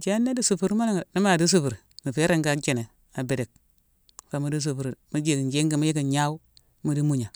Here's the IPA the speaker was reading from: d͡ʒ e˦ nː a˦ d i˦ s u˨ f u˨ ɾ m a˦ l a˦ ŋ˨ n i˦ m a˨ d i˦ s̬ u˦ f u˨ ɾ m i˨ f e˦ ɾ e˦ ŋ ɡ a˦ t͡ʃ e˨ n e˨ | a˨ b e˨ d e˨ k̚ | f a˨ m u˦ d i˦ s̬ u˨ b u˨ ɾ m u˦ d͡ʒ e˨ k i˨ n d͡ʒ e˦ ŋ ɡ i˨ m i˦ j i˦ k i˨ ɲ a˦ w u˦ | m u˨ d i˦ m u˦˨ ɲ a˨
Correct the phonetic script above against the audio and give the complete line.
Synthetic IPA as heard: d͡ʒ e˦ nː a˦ d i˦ s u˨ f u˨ ɾ m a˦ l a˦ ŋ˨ n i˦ m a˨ d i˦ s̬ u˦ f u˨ ɾ m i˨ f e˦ ɾ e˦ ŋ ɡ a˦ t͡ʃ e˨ n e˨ | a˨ b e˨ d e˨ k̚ | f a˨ m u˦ d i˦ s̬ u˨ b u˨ ɾ m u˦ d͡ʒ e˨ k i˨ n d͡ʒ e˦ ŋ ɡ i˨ m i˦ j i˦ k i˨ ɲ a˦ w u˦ | m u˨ d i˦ m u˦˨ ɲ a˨